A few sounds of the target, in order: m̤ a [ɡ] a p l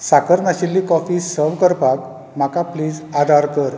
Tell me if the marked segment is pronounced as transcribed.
no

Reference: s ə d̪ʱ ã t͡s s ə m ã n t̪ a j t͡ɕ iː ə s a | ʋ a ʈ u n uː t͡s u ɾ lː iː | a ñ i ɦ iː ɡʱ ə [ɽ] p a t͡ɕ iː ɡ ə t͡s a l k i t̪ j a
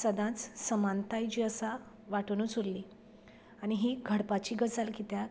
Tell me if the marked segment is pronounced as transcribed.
yes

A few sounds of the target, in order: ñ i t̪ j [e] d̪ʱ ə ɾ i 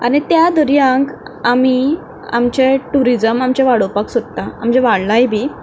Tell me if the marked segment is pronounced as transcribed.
no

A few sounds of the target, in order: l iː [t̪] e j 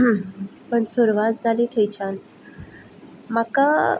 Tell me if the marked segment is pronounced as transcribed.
no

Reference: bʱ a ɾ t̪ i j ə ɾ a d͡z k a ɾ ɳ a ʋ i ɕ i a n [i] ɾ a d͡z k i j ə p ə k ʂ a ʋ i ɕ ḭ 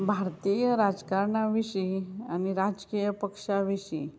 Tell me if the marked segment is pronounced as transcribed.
yes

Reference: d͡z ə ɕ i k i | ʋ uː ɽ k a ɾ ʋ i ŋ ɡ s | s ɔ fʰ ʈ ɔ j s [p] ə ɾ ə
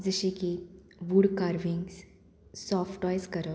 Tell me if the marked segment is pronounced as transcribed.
no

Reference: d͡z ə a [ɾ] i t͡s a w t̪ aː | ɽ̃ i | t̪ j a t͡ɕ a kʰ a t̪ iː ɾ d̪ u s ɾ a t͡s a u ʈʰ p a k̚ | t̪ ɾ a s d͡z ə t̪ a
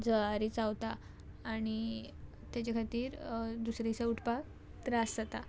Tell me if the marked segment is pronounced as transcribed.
yes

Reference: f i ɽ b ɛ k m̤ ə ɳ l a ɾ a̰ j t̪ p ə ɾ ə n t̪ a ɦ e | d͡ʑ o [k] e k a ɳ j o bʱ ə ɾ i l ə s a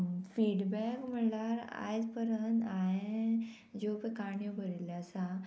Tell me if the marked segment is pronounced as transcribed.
no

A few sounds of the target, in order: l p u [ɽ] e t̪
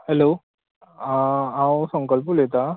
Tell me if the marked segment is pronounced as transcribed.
no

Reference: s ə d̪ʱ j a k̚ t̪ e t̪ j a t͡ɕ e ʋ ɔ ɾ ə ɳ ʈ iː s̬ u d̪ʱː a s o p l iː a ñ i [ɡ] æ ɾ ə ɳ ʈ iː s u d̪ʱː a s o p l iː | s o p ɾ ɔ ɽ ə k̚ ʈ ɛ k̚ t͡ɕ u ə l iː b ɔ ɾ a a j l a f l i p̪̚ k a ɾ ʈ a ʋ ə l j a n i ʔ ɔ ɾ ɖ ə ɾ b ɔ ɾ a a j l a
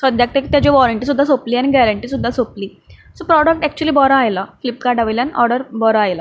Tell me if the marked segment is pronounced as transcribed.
yes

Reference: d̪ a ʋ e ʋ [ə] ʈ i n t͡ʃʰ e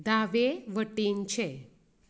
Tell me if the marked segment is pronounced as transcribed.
yes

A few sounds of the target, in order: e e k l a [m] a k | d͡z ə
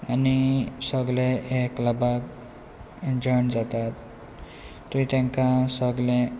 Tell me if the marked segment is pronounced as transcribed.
no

